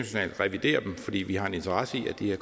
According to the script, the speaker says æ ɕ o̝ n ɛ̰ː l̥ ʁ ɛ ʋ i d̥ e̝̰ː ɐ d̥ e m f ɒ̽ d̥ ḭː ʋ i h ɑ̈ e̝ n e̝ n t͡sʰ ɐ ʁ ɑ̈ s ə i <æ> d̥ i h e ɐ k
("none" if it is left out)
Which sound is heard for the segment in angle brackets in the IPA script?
æ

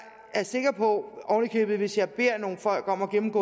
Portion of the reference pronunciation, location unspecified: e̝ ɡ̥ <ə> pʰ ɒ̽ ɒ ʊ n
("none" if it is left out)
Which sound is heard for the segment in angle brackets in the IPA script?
ɐ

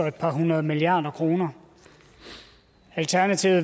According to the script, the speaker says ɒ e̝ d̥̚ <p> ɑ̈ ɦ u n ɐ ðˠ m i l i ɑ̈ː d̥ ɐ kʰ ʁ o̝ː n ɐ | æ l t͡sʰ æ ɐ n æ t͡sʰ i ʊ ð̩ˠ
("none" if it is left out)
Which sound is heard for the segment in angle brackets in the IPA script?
pʰ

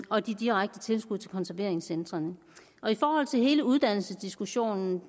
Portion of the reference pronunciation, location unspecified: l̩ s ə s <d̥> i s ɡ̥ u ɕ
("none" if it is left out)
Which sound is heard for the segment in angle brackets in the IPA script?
d̥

